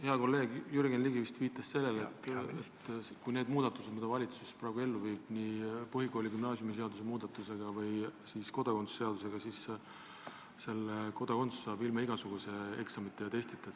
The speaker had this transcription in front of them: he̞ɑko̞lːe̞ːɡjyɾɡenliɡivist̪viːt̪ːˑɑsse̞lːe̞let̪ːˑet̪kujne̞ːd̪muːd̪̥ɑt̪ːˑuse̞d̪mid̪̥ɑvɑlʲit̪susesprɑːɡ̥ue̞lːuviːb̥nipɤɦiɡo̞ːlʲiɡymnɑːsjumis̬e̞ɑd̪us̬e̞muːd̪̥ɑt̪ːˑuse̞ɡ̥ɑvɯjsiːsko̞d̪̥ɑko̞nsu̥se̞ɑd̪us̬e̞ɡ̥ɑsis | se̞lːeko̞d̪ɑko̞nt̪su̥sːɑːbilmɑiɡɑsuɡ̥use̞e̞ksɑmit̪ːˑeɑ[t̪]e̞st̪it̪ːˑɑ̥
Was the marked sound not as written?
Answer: no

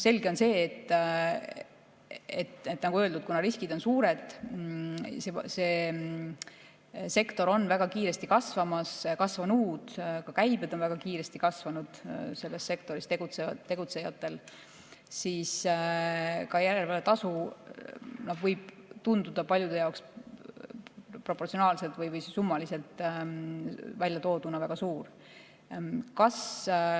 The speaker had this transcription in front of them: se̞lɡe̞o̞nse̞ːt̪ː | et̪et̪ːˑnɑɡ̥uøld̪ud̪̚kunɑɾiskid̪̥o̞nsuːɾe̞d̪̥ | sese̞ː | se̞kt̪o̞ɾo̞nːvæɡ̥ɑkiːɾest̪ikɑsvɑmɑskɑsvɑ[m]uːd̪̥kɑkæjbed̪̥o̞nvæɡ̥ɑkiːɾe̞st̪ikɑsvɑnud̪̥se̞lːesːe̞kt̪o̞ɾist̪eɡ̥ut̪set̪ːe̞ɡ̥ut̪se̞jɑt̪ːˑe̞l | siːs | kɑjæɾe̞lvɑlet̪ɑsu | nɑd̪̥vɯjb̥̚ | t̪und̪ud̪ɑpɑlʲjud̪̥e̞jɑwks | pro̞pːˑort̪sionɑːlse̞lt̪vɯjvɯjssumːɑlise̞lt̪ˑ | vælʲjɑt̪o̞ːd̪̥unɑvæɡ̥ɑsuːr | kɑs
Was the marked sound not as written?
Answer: yes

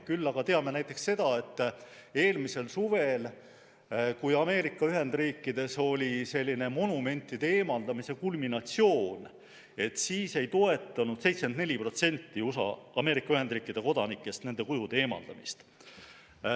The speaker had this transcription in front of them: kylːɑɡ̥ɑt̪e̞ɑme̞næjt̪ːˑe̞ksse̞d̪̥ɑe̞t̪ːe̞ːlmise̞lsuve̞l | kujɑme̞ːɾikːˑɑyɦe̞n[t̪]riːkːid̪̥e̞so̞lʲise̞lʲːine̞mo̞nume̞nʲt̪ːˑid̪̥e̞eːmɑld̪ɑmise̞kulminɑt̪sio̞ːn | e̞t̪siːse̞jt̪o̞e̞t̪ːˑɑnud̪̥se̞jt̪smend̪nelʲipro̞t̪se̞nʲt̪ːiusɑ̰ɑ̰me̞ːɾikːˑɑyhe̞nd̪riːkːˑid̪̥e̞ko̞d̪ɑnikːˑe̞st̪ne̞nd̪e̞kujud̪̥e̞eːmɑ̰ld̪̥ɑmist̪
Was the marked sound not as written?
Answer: yes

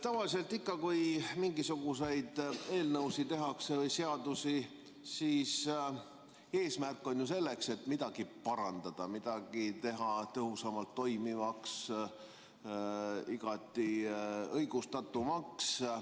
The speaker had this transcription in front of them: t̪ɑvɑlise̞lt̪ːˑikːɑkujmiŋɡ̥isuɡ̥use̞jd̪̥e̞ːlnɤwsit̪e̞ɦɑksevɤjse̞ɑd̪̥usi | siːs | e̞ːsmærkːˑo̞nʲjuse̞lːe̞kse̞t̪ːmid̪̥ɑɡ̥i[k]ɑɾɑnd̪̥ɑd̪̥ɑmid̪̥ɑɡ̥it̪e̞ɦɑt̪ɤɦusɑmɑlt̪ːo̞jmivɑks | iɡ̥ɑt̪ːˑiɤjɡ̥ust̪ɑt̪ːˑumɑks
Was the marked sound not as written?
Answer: yes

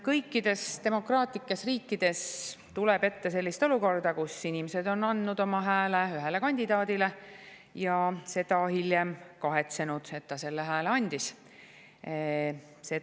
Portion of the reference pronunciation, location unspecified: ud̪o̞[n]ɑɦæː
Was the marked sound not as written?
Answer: yes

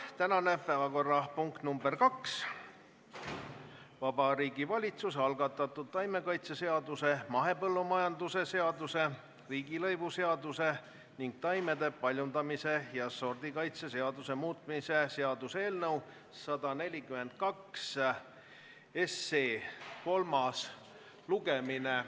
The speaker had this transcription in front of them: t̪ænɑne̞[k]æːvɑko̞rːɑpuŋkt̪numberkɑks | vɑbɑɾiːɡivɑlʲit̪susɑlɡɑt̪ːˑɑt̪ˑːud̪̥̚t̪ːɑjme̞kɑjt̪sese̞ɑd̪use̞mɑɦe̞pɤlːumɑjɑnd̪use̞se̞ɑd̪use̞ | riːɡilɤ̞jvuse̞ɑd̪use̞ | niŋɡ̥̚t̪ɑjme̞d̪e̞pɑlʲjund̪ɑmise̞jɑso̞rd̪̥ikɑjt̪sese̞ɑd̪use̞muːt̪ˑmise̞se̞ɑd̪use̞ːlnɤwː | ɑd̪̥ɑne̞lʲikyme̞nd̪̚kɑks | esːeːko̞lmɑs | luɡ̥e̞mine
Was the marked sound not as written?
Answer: yes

